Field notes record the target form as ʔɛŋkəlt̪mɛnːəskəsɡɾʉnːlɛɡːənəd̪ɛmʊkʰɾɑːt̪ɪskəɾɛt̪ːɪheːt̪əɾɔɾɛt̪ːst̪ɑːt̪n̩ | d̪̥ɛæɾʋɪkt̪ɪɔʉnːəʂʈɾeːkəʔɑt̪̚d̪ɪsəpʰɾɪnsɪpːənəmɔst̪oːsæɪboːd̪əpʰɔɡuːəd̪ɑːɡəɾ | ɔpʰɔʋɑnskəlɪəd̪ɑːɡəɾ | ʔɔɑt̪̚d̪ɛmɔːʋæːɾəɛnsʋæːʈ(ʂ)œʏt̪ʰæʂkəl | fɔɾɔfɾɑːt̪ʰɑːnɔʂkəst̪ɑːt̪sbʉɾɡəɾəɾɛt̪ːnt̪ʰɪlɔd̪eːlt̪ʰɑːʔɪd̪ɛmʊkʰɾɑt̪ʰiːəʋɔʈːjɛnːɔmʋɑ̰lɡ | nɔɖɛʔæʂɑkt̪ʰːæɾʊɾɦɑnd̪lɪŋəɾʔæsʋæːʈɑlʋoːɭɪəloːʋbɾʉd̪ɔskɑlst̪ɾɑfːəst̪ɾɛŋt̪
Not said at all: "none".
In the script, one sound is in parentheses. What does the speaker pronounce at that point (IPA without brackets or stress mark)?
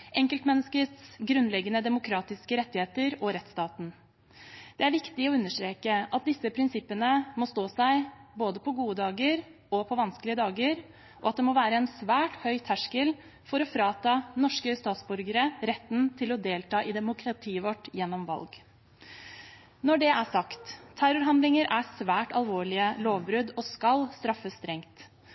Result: h